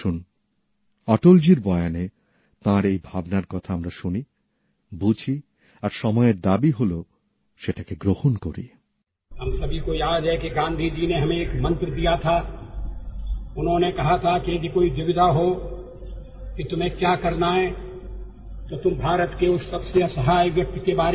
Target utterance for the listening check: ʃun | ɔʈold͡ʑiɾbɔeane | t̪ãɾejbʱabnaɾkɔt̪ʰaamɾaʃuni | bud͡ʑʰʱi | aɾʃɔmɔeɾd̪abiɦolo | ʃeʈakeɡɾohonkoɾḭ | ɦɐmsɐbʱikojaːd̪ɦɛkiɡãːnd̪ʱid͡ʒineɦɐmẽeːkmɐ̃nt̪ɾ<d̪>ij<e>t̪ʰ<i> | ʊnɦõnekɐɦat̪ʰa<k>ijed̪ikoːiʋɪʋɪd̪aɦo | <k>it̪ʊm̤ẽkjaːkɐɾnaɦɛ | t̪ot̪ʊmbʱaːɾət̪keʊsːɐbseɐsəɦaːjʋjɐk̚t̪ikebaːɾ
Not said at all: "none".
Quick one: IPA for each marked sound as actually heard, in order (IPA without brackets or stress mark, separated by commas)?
d̪, a, a, k, k